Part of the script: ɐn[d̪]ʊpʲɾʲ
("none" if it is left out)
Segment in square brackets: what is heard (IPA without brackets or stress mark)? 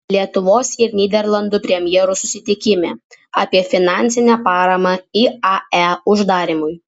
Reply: d̪